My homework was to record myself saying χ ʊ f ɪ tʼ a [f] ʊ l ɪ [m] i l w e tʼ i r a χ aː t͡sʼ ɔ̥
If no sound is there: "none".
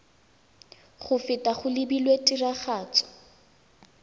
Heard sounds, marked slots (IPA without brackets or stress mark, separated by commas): χ, b